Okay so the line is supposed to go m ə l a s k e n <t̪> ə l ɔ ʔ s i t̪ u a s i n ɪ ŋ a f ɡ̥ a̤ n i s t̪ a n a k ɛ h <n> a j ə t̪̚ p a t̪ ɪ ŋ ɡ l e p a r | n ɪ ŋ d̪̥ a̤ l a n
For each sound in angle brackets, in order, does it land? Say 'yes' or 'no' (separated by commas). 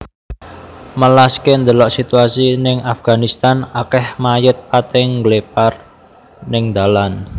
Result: no, no